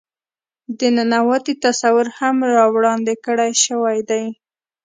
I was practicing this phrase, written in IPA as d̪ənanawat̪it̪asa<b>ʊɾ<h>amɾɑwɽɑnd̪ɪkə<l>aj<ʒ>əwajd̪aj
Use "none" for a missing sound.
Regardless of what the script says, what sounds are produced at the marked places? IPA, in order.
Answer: w, h, ɽ, ʃ

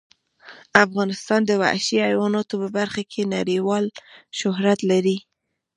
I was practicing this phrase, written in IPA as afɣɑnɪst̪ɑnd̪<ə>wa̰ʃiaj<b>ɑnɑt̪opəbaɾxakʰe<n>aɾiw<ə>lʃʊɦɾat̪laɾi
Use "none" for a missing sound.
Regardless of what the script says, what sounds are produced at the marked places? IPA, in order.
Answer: ə, w, n, ɑ

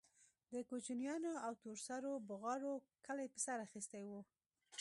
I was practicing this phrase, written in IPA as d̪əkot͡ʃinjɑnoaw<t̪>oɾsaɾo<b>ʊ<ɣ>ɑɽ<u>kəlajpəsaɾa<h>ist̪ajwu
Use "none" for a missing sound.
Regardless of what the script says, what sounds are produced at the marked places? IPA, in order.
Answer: t̪, b, ɣ, o, x

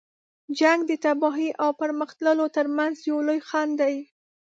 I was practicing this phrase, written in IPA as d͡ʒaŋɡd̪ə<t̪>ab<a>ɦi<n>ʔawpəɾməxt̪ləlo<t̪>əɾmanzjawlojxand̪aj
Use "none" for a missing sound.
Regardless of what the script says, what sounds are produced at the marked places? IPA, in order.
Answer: t̪, ɑ, none, t̪

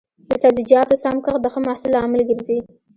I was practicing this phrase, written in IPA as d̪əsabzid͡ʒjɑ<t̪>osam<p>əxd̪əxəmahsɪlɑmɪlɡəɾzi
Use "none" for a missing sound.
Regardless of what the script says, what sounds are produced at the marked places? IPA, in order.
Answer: t̪, k

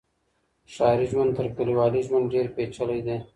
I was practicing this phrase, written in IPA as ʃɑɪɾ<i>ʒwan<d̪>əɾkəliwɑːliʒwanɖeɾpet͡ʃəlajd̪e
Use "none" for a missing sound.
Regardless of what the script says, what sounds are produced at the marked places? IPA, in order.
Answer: i, t̪

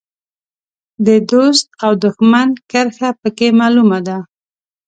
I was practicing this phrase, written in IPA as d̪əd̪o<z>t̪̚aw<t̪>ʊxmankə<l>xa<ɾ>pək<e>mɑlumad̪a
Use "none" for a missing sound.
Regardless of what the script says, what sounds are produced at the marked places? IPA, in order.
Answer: s, d̪, ɾ, none, e

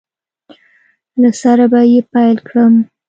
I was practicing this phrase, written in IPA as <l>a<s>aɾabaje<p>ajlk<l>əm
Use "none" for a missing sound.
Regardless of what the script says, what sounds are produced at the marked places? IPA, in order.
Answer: l, s, p, ɽ

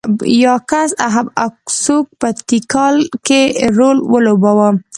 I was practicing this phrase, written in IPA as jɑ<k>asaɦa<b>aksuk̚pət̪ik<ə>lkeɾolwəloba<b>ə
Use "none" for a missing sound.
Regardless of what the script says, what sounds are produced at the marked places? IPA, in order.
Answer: k, b, ɑ, w

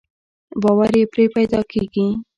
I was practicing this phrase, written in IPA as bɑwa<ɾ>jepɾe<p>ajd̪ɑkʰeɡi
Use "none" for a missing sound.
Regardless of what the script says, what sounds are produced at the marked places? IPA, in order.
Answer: ɾ, p

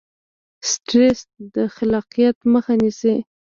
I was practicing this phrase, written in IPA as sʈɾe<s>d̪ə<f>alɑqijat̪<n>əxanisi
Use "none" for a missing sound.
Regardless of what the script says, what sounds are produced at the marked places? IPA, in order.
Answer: s, x, m

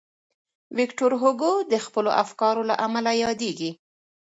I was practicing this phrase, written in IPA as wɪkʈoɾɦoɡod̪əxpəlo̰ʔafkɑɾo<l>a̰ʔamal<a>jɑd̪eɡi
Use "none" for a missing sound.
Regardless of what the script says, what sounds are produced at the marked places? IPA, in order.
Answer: l, a

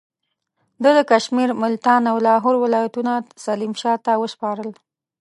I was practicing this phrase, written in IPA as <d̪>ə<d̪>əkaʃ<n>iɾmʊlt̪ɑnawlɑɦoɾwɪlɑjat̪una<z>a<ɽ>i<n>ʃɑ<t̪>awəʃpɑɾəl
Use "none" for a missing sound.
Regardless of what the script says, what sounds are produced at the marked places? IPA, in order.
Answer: d̪, d̪, m, s, l, m, t̪

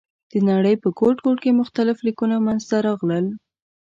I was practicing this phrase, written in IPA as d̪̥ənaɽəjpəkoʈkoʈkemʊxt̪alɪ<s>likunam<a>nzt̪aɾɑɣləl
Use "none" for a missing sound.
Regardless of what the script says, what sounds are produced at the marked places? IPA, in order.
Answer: f, a

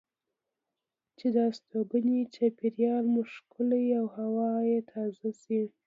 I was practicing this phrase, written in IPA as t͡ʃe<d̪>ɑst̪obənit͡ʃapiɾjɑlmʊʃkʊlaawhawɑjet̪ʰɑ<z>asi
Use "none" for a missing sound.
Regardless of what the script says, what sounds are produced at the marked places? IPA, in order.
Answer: d̪, z

